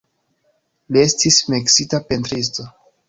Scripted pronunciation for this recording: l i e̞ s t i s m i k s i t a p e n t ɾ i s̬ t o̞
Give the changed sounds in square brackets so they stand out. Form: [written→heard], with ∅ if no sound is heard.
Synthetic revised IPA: l i e̞ s t i s m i k s i t a p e n t ɾ i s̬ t o̞